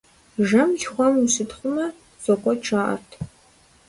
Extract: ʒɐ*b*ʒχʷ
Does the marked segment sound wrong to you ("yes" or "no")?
yes